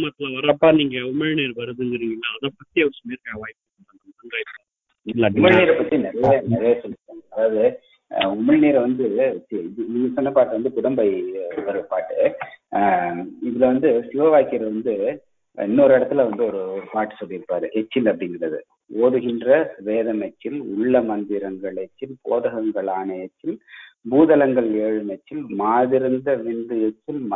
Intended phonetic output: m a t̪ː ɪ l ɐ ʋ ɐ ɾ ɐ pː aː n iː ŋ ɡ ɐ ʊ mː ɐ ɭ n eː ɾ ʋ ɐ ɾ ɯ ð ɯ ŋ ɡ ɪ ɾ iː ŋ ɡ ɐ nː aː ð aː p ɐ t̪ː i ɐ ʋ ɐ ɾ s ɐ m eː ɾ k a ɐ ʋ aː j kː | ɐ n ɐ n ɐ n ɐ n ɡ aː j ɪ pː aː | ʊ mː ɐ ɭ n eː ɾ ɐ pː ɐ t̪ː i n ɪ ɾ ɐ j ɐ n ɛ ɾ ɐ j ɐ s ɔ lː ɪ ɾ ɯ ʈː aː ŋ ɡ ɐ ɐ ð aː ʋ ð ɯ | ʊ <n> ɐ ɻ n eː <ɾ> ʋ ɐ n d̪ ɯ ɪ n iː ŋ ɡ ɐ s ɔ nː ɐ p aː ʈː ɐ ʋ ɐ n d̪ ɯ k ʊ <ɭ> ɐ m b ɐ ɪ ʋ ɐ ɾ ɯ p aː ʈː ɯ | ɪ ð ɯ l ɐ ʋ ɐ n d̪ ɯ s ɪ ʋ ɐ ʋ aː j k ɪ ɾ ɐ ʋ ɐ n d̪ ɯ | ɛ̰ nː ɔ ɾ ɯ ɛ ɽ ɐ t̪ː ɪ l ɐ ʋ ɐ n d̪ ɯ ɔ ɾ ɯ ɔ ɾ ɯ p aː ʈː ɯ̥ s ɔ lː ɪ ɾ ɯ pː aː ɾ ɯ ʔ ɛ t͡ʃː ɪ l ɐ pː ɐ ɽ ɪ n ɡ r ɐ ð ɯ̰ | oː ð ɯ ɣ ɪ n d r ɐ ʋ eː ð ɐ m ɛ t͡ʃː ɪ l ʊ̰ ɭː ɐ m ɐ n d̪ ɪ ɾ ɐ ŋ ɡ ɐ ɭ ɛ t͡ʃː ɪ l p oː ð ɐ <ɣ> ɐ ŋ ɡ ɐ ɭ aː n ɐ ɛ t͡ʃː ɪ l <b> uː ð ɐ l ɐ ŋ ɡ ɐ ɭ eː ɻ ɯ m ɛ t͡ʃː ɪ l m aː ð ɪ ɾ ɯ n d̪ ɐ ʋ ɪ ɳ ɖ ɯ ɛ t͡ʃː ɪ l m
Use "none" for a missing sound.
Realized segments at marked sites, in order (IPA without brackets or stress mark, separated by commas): m, ɾ, ɽ, ɣ, b